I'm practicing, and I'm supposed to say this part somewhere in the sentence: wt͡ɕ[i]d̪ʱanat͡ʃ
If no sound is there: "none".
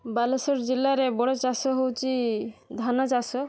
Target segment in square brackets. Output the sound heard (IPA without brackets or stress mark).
i